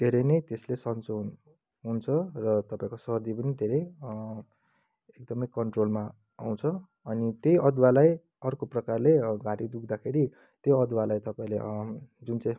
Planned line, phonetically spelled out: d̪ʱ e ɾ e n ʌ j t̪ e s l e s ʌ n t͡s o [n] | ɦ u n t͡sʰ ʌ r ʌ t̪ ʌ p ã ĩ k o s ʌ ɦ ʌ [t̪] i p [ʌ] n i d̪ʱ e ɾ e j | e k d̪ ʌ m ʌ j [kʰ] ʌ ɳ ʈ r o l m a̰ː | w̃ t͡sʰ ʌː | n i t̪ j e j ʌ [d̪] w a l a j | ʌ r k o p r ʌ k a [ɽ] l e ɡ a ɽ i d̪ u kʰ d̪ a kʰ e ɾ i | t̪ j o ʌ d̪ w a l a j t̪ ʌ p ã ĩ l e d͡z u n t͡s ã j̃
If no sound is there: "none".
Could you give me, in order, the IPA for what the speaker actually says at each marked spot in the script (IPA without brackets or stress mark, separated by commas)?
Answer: n, d̪, ʌ, k, d̪, r